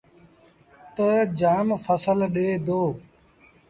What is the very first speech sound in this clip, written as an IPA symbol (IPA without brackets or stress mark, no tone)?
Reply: t̪